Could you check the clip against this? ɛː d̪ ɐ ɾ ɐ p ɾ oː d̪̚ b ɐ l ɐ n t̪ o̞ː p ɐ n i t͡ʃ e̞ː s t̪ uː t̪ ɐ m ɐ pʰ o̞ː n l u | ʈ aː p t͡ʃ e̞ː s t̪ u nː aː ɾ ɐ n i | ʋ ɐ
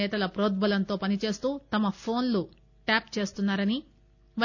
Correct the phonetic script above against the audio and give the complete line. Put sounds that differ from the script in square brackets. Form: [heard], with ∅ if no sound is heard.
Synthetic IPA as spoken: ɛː [t̪] ɐ [l] ɐ p ɾ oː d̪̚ b ɐ l ɐ n t̪ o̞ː p ɐ n i t͡ʃ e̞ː s t̪ uː t̪ ɐ m ɐ pʰ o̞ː n l u | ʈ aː p t͡ʃ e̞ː s t̪ u nː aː ɾ ɐ n i | ʋ ɐ